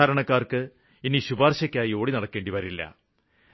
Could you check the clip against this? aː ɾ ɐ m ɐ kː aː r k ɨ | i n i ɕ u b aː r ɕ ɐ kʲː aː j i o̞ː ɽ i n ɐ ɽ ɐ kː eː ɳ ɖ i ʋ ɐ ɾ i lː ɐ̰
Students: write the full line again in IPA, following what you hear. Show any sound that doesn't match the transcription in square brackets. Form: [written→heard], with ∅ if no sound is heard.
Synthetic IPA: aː ɾ ɐ [m→ɳ] ɐ kː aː r k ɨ | i n i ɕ u b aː r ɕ ɐ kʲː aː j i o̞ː ɽ i n ɐ ɽ ɐ kː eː ɳ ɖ i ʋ ɐ ɾ i lː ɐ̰